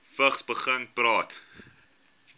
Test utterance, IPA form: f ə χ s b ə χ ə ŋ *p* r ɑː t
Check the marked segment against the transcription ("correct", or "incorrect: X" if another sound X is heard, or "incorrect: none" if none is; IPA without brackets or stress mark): correct